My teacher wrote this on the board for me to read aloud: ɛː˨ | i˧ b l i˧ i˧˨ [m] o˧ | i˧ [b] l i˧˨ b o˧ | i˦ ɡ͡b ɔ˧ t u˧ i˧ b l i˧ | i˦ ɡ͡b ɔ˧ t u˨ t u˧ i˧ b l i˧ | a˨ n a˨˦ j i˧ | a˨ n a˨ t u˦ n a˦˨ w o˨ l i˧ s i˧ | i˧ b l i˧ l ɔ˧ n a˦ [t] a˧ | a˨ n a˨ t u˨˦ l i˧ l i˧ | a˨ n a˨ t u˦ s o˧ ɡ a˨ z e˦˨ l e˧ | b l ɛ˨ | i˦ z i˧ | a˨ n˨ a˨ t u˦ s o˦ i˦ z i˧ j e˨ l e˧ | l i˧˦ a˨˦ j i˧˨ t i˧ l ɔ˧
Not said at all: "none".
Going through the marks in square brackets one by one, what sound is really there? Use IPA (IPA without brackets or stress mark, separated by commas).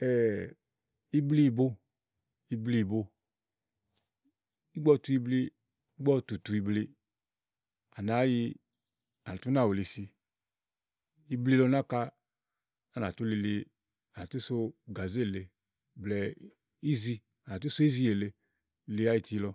b, b, k